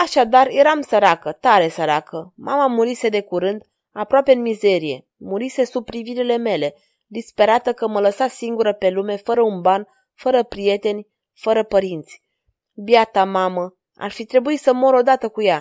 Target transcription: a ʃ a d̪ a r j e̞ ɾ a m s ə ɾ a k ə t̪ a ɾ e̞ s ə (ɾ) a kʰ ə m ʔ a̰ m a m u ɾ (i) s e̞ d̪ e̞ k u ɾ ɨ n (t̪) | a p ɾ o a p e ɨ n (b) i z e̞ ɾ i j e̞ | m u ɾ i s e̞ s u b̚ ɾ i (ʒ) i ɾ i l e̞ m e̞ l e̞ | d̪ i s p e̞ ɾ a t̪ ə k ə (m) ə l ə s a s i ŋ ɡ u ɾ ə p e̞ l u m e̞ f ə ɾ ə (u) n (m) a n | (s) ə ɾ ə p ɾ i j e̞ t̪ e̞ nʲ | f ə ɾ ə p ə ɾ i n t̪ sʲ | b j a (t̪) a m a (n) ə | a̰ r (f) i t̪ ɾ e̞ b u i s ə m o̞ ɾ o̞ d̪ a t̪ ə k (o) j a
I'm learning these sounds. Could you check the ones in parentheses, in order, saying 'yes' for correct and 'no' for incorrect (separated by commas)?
yes, yes, no, no, no, yes, yes, no, no, yes, no, yes, no